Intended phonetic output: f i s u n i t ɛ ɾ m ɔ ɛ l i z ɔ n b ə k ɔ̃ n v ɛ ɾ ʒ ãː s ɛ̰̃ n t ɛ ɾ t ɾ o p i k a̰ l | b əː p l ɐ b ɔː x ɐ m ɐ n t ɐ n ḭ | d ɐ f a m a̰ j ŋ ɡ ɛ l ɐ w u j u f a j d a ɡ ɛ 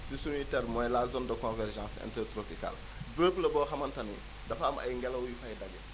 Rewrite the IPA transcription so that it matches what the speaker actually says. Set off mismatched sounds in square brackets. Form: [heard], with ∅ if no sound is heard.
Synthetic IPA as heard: [s] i s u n i t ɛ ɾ m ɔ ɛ l [a] z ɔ n [d] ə k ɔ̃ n v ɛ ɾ ʒ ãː s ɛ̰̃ n t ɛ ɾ t ɾ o p i k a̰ l | b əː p l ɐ b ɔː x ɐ m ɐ n t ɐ n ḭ | d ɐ f a m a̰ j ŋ ɡ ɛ l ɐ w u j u f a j d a ɡ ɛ

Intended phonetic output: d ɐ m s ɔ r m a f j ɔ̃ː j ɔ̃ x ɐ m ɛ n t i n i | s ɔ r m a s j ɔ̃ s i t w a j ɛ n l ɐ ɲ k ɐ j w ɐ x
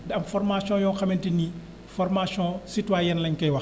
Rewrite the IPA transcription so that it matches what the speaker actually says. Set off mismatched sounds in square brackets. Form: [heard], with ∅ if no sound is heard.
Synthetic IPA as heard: d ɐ m [f] ɔ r m a [s] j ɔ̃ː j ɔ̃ x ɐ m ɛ n t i n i | [f] ɔ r m a s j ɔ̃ s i t w a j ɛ n l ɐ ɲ k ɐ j w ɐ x

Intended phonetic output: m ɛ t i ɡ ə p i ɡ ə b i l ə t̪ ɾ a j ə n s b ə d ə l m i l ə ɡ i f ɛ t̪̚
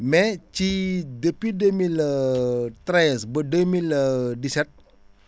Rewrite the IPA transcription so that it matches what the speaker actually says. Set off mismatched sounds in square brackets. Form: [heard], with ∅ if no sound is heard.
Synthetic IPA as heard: m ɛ [t͡ʃ] i [d] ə p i [d] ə [m] i l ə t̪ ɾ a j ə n s b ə d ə [∅] m i l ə [d] i [s] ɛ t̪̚

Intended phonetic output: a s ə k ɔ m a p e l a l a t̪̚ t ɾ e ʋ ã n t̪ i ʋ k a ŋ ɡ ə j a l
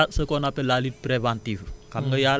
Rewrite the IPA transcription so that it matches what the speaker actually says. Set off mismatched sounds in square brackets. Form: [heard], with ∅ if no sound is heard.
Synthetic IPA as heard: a s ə k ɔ [n] a p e l a l [i] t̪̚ [p] ɾ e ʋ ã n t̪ i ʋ k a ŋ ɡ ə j a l

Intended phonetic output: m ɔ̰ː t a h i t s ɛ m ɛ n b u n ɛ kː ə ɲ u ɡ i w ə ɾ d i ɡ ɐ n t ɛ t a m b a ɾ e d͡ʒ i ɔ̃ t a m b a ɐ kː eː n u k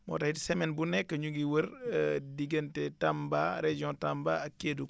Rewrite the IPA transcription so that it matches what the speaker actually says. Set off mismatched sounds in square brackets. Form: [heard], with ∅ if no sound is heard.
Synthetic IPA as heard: m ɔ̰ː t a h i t s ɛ m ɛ n b u n ɛ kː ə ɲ u ɡ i w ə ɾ d i ɡ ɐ n t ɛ t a m b a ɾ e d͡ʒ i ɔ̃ t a m b a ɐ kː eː [d] u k

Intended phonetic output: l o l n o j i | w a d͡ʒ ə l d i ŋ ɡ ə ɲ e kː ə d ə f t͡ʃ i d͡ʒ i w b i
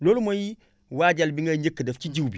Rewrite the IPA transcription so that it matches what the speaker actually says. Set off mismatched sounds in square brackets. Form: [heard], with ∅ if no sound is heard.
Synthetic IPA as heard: l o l [m] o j i | w a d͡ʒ [a] l [b] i ŋ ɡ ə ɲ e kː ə d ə f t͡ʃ i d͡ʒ i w b i

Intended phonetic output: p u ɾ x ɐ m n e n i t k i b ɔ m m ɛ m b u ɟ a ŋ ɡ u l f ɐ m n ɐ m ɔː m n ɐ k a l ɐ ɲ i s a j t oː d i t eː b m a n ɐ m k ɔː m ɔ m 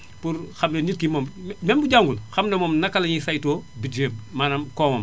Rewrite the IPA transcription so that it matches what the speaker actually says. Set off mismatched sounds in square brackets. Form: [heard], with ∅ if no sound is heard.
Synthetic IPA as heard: p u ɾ x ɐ m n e n i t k i [m] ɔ m m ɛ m b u ɟ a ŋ ɡ u l [x] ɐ m n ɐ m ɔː m n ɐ k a l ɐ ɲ i s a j t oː [b] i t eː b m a n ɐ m k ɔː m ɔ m

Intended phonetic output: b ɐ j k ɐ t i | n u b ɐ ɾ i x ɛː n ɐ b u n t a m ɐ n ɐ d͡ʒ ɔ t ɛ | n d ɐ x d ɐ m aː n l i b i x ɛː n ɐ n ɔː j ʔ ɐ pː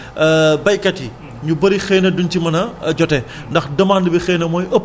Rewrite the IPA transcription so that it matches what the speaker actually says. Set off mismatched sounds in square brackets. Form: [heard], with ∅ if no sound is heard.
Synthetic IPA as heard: b ɐ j k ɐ t i | [ɲ] u b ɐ ɾ i x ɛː n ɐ [d] u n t [i] m ɐ n ɐ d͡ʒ ɔ t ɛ | n d ɐ x d ɐ m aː n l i b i x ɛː n ɐ [m] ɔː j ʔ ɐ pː

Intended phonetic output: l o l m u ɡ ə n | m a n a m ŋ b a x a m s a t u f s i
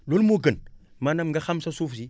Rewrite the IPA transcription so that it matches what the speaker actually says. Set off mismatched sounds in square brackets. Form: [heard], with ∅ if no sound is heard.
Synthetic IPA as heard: l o l m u ɡ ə n | m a n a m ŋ [ɡ] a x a m s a [s] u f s i

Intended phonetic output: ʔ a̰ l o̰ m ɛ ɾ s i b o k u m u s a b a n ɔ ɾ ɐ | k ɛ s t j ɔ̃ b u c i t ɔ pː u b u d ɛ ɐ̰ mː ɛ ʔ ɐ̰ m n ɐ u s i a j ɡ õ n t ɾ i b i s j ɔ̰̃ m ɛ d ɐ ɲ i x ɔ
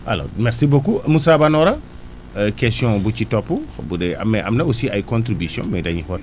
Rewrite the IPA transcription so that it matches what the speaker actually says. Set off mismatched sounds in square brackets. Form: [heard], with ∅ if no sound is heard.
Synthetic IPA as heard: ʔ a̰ l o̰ m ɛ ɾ s i b o k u m u s a b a n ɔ ɾ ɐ | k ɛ s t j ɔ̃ b u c i t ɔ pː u b u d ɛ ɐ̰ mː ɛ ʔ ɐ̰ m n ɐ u s i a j [k] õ n t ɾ i b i s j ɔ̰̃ m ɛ d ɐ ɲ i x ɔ

